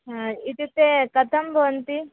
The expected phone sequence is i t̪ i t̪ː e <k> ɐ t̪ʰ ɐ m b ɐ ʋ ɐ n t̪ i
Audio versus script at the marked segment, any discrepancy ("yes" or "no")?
no